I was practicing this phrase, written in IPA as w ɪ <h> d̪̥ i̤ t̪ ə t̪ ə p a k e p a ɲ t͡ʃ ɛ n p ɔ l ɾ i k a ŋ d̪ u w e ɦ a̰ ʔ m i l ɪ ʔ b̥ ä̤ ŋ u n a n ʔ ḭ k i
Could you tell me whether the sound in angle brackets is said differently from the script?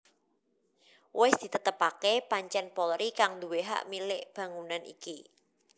yes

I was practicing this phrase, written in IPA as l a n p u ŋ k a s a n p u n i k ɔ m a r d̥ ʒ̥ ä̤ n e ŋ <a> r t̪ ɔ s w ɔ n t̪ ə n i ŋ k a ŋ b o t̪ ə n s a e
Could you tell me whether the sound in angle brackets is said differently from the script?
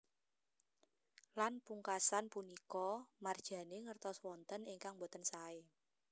yes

